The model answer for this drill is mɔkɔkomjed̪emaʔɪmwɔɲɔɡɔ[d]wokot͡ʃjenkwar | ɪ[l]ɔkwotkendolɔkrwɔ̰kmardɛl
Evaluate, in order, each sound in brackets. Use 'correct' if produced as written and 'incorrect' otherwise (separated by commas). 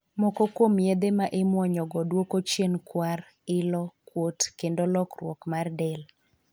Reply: correct, correct